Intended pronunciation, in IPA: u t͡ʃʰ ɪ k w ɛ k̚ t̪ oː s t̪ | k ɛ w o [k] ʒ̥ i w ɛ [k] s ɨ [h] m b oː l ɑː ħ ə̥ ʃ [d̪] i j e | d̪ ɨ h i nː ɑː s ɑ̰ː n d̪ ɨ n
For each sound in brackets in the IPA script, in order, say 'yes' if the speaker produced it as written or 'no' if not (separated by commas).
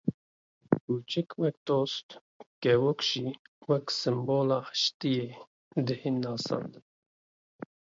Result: yes, yes, no, no